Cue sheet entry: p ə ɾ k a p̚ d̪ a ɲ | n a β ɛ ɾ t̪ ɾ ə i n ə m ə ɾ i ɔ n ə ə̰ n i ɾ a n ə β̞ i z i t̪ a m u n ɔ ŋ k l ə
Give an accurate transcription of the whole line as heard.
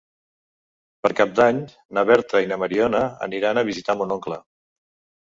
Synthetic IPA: p ə ɾ k a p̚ d̪ a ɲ | n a β ɛ ɾ t̪ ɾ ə i n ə m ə ɾ i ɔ n ə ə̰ n i ɾ a n ə β̞ i z i t̪ a m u n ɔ ŋ k l ə